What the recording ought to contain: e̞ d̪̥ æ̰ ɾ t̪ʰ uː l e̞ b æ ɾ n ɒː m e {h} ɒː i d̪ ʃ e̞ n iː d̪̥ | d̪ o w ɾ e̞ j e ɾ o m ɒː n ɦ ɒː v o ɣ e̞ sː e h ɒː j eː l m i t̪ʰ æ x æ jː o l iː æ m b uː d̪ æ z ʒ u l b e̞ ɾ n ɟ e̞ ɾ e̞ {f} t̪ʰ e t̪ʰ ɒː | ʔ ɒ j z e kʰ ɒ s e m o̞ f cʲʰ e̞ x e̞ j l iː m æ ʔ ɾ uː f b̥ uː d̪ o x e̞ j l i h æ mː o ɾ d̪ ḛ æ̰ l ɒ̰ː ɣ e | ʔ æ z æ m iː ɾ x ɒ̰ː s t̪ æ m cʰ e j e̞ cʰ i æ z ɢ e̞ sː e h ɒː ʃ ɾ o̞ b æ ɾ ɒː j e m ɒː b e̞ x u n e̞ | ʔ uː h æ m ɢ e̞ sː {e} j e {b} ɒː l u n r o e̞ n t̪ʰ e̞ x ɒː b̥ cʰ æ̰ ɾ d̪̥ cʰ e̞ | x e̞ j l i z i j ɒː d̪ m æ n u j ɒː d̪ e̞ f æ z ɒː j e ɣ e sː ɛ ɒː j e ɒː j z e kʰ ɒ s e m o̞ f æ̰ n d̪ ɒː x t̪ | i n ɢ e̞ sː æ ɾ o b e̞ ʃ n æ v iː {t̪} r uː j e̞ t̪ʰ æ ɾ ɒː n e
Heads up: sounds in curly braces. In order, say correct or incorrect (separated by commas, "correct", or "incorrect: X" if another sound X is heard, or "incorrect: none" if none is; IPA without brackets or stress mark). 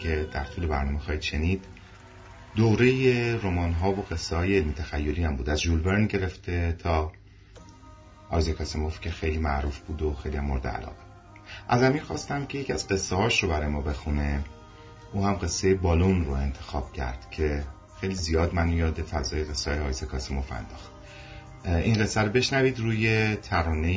incorrect: x, correct, correct, correct, incorrect: d̪